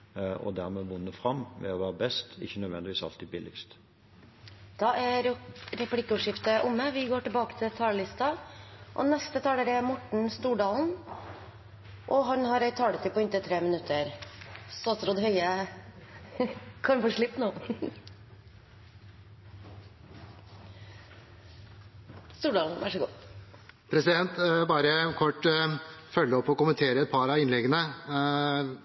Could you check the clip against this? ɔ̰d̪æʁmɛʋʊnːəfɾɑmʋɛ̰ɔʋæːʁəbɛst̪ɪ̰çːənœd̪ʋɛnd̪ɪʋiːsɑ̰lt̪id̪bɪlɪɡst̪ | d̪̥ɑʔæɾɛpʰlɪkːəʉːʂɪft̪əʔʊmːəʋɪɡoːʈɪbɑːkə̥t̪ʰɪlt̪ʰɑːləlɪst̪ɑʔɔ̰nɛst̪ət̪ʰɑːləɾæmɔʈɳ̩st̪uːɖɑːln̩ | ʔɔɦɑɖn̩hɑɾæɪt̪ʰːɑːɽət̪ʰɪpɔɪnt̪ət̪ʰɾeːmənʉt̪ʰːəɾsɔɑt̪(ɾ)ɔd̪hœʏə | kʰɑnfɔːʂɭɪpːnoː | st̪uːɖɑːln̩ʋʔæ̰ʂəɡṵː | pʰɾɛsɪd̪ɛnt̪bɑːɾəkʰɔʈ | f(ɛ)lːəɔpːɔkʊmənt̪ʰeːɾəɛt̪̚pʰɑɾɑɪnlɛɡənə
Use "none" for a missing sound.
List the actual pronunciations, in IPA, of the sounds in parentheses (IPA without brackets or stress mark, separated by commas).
ɾ, œ